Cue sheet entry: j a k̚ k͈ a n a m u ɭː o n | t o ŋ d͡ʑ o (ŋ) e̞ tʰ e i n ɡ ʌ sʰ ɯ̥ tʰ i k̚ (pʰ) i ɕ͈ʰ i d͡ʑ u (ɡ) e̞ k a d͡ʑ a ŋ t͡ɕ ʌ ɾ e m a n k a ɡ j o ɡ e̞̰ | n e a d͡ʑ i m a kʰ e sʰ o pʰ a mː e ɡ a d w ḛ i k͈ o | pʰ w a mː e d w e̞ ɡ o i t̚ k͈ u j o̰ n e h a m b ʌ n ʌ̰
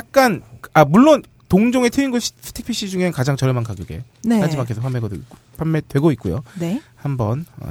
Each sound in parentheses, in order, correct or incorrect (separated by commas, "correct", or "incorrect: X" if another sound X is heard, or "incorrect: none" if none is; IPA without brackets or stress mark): correct, correct, incorrect: ŋ